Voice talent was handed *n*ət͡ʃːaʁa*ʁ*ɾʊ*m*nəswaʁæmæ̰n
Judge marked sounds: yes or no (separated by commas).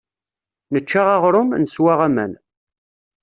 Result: yes, yes, yes